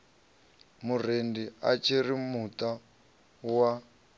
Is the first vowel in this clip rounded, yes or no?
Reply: yes